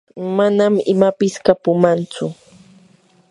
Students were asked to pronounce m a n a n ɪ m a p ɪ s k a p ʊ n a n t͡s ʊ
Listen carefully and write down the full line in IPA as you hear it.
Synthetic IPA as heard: m a n a m ɪ m a p ɪ s k a p ʊ m a n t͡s ʊ